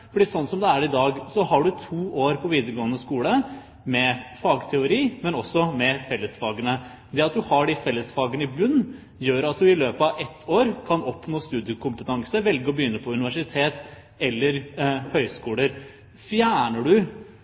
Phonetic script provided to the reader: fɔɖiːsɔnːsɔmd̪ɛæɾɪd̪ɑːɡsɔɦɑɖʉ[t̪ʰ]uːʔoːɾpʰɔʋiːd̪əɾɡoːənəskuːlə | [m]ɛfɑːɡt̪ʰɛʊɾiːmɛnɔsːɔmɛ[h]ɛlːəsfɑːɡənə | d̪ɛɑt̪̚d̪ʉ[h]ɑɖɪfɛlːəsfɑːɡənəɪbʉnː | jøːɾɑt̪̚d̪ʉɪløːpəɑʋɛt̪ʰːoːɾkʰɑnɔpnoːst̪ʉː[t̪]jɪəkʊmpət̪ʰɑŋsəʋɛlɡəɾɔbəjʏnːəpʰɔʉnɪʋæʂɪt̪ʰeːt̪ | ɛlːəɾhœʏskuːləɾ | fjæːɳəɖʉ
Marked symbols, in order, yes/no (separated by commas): yes, yes, no, yes, no